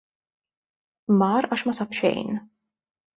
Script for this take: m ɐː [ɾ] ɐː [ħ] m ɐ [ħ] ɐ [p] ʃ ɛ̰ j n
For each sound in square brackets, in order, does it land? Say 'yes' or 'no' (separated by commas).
yes, no, no, yes